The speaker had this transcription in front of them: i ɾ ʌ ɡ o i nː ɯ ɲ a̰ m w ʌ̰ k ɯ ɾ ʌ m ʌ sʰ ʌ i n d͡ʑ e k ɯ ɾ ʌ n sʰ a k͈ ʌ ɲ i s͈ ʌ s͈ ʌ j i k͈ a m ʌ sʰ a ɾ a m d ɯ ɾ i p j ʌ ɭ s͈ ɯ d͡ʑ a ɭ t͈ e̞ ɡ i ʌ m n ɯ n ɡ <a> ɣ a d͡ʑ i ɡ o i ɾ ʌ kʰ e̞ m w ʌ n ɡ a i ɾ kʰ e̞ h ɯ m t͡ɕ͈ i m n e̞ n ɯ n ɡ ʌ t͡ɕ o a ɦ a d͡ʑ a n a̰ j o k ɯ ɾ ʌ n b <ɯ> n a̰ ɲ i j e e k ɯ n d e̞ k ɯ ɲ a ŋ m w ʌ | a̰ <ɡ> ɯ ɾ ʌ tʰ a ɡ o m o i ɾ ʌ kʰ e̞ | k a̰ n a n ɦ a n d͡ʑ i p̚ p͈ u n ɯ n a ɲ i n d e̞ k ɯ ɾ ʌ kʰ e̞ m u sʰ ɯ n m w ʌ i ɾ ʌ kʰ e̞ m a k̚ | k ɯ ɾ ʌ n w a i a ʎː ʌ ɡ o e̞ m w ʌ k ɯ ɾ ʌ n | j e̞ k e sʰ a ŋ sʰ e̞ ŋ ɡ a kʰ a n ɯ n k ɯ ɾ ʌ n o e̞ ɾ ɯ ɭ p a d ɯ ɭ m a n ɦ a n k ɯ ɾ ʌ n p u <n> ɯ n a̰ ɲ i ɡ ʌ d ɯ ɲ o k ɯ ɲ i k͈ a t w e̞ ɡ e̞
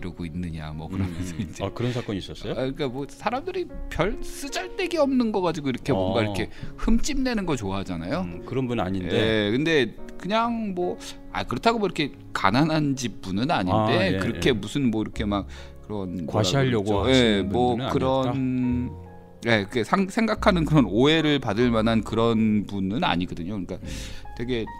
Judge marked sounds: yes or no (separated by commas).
no, no, no, yes